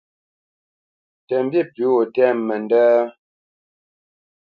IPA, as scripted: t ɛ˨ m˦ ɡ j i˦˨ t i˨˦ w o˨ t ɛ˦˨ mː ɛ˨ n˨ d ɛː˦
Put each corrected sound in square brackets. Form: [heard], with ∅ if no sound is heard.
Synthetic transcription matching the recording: t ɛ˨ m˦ [b] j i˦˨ [p] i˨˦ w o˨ t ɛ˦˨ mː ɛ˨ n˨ d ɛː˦